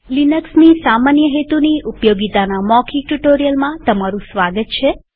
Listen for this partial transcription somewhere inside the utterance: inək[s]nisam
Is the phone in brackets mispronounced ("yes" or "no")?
no